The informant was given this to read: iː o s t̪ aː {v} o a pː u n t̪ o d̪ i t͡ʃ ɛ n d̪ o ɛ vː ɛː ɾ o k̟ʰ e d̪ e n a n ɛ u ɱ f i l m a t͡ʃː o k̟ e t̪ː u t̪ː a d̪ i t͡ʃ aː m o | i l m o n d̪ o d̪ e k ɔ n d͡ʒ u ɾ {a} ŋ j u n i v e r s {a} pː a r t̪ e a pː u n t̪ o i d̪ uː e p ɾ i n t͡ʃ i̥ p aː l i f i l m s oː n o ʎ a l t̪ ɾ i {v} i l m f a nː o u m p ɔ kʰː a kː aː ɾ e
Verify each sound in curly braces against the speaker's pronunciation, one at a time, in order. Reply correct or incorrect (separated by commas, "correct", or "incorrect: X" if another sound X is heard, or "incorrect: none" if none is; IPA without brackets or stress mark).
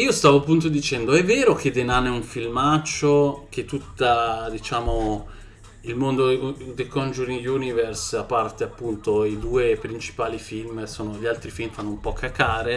correct, incorrect: i, correct, incorrect: f